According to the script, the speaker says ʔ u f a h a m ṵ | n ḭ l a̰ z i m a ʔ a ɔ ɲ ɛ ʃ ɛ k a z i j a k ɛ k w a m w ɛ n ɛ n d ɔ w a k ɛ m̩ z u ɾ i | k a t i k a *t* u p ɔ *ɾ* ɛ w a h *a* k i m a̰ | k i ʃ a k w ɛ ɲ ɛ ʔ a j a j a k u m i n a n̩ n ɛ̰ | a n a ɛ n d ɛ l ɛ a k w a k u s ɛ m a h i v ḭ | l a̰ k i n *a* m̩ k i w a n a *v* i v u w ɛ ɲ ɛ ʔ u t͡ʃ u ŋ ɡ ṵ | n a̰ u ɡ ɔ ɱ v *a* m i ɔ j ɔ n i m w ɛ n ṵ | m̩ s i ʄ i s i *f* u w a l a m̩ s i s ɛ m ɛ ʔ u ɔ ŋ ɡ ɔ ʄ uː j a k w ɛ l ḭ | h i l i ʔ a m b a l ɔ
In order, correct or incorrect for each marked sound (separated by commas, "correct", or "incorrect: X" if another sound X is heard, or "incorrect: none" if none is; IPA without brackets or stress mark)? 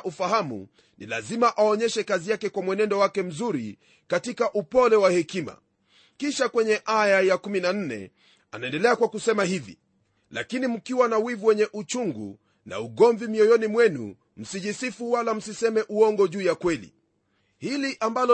incorrect: ʔ, incorrect: l, incorrect: ɛ, incorrect: i, incorrect: w, incorrect: i, correct